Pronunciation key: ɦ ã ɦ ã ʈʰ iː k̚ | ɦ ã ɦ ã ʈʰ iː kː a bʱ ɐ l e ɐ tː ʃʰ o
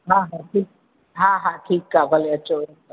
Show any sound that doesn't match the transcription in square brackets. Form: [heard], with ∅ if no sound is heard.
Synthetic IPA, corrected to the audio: ɦ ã ɦ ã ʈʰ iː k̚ | ɦ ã ɦ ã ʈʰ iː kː a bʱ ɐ l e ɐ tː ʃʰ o